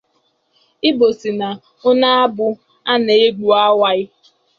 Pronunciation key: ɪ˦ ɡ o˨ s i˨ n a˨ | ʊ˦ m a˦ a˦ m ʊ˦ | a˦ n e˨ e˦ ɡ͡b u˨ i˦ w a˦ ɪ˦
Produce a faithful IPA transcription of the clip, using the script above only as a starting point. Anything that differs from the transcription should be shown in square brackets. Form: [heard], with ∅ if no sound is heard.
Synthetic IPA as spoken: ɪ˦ [b] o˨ s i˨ n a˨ | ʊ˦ [n] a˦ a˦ [b] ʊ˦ | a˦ n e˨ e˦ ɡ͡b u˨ [a˦] w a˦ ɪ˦